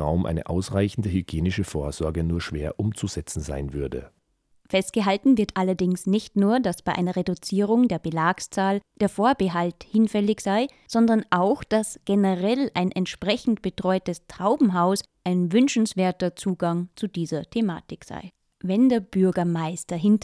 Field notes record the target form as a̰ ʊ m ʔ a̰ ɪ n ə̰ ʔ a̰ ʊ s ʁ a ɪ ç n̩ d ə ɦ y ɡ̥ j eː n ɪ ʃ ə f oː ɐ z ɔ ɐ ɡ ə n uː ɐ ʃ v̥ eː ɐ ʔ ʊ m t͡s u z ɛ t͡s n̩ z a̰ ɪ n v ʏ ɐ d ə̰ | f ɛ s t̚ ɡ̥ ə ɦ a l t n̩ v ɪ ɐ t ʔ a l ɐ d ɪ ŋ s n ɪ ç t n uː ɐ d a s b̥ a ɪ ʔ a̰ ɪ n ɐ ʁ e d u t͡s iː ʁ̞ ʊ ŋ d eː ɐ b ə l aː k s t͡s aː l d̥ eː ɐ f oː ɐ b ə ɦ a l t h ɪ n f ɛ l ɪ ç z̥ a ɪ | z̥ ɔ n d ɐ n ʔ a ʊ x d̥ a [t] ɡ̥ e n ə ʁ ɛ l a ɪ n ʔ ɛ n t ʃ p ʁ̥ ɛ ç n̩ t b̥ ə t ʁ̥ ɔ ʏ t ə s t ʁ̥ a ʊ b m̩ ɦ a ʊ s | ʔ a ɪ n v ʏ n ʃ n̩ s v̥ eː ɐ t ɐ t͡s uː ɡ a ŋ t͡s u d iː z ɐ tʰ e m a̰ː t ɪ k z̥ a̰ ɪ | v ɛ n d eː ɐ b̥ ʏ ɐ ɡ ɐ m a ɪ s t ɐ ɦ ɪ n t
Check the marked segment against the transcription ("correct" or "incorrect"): incorrect